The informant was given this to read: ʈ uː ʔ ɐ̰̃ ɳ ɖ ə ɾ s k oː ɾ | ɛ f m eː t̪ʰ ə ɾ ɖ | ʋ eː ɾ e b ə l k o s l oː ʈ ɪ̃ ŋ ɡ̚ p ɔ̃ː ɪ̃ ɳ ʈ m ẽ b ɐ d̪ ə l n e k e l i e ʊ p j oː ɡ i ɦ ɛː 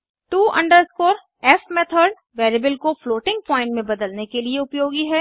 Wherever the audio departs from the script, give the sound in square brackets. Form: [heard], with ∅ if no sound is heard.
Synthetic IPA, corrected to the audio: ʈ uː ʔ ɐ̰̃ ɳ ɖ ə ɾ s k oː ɾ | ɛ f m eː t̪ʰ ə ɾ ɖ | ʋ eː ɾ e b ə l k o [f] l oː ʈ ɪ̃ ŋ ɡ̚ p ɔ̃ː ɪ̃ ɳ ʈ m ẽ b ɐ d̪ ə l n e k e l i e ʊ p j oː ɡ i ɦ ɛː